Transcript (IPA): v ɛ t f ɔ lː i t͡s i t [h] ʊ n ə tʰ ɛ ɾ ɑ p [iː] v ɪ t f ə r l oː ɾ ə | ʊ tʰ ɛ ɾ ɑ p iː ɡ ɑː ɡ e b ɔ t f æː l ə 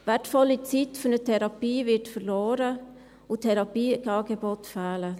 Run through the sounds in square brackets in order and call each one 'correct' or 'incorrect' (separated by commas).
incorrect, correct